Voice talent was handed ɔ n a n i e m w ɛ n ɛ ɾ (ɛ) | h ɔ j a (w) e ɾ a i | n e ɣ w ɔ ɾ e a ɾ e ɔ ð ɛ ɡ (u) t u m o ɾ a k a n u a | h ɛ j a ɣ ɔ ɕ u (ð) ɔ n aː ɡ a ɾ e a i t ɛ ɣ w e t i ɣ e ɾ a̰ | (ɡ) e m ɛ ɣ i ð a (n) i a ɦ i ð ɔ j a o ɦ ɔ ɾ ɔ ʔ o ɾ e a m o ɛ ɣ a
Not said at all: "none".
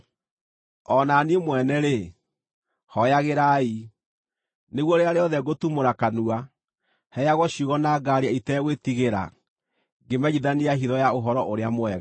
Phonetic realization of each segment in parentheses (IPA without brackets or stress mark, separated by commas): e, ɣ, o, ɣ, ɡ, n